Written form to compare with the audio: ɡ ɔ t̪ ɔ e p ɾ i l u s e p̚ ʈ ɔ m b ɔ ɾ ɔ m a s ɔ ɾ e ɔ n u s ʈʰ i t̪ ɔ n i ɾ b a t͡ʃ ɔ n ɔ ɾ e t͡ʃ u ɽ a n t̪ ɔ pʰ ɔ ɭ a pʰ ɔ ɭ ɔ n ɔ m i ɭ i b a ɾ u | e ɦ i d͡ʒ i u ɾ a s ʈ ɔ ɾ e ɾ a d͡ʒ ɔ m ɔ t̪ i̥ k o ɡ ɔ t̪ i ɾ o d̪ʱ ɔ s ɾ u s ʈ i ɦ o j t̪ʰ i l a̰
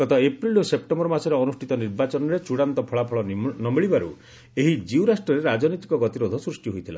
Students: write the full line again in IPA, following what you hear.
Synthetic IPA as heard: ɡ ɔ t̪ ɔ e p ɾ i l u s e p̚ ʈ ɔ m b ɔ ɾ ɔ m a s ɔ ɾ e ɔ n u s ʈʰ i t̪ ɔ n i ɾ b a t͡ʃ ɔ n ɔ ɾ e t͡ʃ u ɽ a n t̪ ɔ pʰ ɔ ɭ a pʰ ɔ ɭ ɔ n ɔ m i ɭ i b a ɾ u | e ɦ i d͡ʒ i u ɾ a s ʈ ɔ ɾ e ɾ a d͡ʒ ɔ n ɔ t̪ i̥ k ɔ ɡ ɔ t̪ i ɾ o d̪ʱ ɔ s ɾ u s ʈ i ɦ o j t̪ʰ i l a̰